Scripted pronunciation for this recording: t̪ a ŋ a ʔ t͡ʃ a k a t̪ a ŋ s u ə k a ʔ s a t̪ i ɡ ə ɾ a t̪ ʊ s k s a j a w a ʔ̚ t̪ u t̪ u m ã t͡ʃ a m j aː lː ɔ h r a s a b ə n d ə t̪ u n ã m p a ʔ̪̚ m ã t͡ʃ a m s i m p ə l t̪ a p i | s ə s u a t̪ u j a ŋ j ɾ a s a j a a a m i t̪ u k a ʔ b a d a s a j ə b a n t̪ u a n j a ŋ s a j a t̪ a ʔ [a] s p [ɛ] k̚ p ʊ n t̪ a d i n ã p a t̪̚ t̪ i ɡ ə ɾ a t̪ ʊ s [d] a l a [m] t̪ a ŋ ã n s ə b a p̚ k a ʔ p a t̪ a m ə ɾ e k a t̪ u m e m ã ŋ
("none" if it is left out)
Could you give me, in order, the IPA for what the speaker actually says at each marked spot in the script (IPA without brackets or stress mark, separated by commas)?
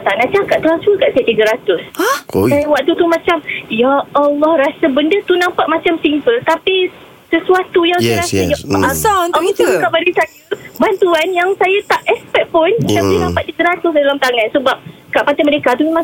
ɛ, ɛ, d, m